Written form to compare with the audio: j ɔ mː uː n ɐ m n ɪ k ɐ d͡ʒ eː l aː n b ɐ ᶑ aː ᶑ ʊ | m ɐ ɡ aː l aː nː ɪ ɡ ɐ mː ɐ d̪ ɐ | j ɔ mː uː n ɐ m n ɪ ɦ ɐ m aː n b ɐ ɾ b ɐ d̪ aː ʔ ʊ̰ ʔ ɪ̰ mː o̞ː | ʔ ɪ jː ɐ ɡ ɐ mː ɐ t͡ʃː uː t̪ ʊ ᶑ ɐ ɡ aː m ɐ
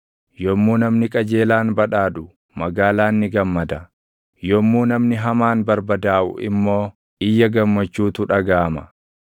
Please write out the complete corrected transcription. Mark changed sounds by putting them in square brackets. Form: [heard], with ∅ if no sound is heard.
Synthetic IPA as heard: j ɔ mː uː n ɐ m n ɪ [kʼ] ɐ d͡ʒ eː l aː n b ɐ ᶑ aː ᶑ ʊ | m ɐ ɡ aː l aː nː ɪ ɡ ɐ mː ɐ d̪ ɐ | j ɔ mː uː n ɐ m n ɪ ɦ ɐ m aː n b ɐ ɾ b ɐ d̪ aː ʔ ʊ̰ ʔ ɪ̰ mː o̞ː | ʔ ɪ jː ɐ ɡ ɐ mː ɐ t͡ʃː uː t̪ ʊ ᶑ ɐ ɡ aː m ɐ